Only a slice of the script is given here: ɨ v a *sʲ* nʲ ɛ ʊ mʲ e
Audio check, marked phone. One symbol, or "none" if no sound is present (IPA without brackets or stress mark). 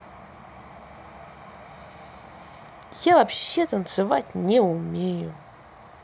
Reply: tʲ